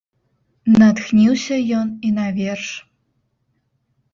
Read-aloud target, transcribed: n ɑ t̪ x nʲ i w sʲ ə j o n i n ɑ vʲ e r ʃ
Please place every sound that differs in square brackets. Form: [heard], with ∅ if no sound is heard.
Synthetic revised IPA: n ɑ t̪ x nʲ i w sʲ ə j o n i n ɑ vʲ e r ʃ